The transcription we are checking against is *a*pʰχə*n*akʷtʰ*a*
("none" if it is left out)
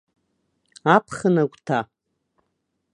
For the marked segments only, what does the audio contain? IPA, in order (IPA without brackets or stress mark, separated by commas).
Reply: a, n, a